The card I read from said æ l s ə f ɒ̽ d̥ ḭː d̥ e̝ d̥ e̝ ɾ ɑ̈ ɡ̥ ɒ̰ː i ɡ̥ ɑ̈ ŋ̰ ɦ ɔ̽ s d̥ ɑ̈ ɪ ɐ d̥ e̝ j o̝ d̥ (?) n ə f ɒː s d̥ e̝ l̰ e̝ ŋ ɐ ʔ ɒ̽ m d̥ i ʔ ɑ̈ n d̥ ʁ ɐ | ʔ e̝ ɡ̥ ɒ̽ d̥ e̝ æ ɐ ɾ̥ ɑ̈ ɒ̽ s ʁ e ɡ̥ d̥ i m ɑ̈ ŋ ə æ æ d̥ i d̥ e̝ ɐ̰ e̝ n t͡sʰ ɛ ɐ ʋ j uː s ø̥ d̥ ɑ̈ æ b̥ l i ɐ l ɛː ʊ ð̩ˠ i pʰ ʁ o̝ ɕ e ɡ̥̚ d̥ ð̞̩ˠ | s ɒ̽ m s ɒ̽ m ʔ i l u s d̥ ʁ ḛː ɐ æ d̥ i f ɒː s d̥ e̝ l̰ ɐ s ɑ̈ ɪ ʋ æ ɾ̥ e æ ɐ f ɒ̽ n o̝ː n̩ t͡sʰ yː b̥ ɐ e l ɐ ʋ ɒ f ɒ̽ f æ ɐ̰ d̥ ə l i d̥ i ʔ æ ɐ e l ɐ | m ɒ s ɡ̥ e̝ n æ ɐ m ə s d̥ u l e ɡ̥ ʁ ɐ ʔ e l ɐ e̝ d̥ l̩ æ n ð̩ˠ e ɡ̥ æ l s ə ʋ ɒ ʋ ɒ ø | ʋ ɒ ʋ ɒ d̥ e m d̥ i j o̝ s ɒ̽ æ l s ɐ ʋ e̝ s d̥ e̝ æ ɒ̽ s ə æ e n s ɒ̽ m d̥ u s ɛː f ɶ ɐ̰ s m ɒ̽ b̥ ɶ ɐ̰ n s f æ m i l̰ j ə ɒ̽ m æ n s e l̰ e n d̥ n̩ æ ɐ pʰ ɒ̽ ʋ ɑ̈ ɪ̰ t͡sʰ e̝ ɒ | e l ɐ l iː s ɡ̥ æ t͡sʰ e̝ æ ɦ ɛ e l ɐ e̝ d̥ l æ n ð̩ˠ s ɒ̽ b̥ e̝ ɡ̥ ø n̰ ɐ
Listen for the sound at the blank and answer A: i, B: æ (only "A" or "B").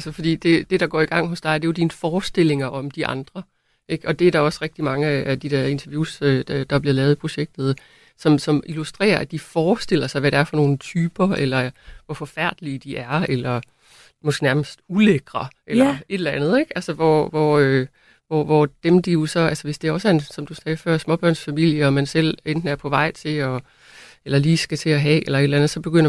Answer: A